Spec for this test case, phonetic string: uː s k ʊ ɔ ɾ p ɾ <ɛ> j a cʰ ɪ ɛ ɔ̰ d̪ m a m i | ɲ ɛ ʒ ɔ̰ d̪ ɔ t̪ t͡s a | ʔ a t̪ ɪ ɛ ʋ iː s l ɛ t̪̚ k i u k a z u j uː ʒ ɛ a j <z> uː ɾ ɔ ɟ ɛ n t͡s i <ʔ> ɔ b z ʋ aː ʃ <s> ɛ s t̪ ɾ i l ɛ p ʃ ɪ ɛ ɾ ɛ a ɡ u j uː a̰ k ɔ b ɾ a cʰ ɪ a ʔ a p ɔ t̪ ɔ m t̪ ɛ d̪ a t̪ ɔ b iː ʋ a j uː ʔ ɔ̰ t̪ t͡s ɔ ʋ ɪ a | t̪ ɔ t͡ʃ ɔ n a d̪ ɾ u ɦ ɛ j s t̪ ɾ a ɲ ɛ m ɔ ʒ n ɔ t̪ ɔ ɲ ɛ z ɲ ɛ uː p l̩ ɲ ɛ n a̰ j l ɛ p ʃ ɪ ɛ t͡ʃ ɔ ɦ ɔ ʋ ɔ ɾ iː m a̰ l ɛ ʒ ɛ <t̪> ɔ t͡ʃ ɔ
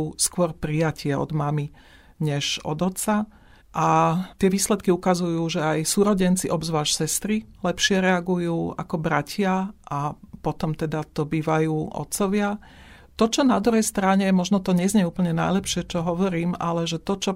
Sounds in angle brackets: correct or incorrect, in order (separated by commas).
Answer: incorrect, incorrect, correct, correct, correct